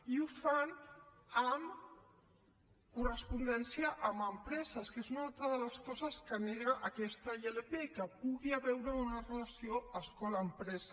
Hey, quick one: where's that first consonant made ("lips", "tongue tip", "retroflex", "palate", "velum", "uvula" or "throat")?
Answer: lips